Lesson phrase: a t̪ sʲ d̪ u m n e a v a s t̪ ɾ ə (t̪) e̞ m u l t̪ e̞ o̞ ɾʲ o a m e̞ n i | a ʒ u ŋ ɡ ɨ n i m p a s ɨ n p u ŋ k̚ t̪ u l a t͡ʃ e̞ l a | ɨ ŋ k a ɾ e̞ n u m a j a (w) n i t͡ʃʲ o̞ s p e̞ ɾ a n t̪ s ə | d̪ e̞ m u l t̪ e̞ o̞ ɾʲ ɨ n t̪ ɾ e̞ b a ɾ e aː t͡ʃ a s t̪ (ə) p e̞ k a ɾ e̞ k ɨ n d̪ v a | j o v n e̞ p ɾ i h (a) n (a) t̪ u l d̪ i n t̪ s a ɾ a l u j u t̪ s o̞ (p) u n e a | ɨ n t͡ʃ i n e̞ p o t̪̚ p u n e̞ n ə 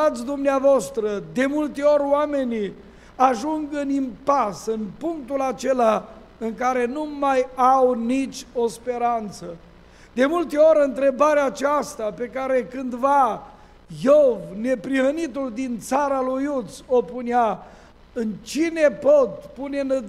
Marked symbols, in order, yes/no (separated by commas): no, yes, no, no, no, yes